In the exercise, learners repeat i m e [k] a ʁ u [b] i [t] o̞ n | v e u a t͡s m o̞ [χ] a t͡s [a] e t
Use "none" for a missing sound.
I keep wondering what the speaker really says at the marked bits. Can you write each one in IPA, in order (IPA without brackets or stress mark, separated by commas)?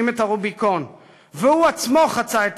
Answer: t, b, k, χ, a